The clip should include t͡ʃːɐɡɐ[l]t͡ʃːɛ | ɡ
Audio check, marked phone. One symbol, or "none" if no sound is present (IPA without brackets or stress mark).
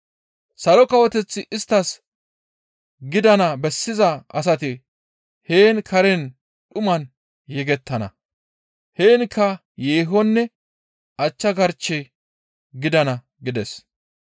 ɾ